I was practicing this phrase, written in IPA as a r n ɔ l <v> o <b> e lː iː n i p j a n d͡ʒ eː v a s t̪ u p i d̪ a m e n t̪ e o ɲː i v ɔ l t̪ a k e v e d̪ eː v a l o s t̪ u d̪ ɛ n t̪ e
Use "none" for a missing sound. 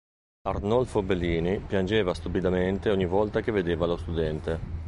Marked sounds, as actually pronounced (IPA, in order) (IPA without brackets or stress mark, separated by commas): f, b